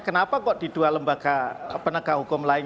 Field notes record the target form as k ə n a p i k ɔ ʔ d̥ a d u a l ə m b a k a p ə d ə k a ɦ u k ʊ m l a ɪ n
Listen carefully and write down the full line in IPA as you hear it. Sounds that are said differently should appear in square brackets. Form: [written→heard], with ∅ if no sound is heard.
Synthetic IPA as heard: k ə n a p [i→a] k ɔ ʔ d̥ [a→i] d u a l ə m b a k a p ə [d→n] ə k a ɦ u k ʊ m l a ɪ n

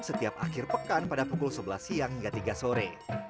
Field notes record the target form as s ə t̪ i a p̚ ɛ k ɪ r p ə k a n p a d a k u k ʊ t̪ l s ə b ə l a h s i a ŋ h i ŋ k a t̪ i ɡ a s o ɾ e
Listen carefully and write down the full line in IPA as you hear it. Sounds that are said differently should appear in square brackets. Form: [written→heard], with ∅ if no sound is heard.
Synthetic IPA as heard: s ə t̪ i a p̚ [ɛ→a] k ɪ r p ə k a n p a d a [k→p] u k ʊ [t̪→∅] l s ə b ə l a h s i a ŋ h i ŋ [k→ɡ] a t̪ i ɡ a s o ɾ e

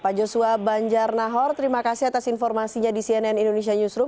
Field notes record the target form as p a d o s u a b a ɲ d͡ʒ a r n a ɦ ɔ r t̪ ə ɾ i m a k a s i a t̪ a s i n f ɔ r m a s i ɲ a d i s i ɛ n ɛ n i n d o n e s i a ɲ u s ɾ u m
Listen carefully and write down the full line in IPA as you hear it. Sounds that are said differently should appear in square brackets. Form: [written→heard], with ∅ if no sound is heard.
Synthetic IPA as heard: p a [d→d͡ʒ] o s u a b a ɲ d͡ʒ a r n a ɦ ɔ r t̪ ə ɾ i m a k a s i a t̪ a s i n f ɔ r m a s i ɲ a d i s i ɛ n ɛ n i n d o n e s i a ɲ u s ɾ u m

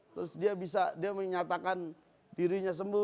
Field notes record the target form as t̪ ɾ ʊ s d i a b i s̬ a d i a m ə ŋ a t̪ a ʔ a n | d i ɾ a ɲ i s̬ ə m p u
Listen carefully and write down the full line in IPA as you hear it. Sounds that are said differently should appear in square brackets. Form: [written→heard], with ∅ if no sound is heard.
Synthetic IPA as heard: t̪ ɾ ʊ s d i a b i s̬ a d i a m ə [ŋ→ɲ] a t̪ a [ʔ→k] a n | d i ɾ [a→i] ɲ [i→a] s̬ ə m [p→b] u

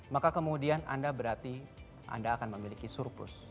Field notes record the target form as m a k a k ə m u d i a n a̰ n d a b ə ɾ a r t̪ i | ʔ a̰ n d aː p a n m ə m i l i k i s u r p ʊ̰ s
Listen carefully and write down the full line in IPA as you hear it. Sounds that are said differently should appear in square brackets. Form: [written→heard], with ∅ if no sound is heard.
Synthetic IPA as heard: m a k a k ə m u d i a n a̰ n d a b ə ɾ a r t̪ i | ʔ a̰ n d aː [p→k] a n m ə m i l i k i s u r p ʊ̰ s

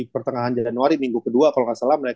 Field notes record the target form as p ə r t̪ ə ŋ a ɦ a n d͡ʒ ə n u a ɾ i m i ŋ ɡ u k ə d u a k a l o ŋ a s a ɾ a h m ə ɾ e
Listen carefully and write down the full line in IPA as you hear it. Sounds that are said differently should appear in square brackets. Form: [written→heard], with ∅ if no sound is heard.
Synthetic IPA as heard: p ə r t̪ ə ŋ a ɦ a n d͡ʒ [ə→a] n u a ɾ i m i ŋ ɡ u k ə d u a k a l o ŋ a s a [ɾ→l] a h m ə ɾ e

